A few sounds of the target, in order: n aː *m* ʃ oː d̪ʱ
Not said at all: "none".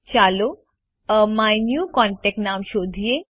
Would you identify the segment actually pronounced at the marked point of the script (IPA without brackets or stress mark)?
m